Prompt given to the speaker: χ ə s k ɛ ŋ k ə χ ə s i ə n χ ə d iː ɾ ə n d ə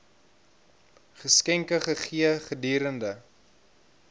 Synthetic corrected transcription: χ ə s k ɛ ŋ k ə χ ə χ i ə χ ə d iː ɾ ə n d ə

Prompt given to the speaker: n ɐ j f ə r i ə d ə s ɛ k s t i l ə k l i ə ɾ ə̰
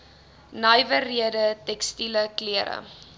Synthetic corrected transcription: n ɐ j v ə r i ə d ə t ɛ k s t i l ə k l i ə ɾ ə̰

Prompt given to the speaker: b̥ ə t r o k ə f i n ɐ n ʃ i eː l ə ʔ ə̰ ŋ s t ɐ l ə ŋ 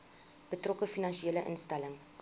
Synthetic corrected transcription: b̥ ə t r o k ə f i n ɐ n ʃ i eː l ə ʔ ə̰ n s t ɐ l ə ŋ

